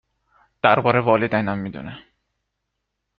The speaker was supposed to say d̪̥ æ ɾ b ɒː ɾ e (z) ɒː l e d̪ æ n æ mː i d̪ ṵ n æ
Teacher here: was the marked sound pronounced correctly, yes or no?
no